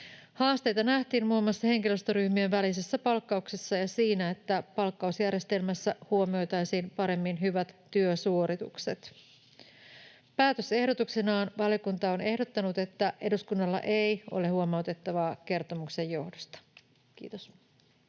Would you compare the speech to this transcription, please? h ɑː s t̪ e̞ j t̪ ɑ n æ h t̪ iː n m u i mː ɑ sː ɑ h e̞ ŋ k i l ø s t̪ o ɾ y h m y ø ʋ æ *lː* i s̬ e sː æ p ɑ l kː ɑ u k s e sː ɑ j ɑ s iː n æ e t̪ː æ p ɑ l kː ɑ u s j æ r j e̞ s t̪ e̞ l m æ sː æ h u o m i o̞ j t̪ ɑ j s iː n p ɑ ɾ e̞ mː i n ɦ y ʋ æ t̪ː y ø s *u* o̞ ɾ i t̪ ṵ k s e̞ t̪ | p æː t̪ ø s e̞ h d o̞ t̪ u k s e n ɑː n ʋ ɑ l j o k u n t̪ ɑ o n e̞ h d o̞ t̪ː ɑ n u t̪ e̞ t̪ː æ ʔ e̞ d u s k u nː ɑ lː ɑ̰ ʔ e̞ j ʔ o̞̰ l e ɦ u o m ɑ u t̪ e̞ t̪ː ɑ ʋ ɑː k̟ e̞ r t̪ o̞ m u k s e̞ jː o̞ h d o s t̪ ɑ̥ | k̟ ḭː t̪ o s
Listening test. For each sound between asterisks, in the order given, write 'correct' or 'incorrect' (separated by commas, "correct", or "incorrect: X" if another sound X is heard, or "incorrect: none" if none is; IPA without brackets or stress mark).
incorrect: l, correct